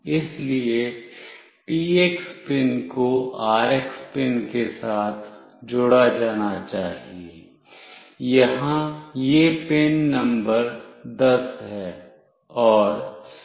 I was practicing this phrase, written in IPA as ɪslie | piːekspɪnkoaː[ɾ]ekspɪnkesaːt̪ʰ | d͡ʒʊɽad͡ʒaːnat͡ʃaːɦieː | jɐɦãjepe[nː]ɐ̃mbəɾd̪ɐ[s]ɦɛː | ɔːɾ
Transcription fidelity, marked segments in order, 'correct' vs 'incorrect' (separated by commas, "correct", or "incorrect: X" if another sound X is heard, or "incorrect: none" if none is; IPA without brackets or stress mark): correct, correct, correct